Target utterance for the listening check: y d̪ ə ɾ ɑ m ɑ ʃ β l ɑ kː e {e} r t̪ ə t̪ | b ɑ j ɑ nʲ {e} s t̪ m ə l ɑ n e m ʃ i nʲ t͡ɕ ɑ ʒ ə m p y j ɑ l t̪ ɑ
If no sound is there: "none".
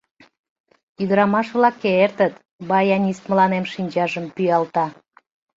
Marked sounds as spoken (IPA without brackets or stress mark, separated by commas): e, i